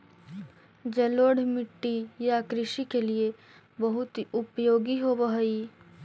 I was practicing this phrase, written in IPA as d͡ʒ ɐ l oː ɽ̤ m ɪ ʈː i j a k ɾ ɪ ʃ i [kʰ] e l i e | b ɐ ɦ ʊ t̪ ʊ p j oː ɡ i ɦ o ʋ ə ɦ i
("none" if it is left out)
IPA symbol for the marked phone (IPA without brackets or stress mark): k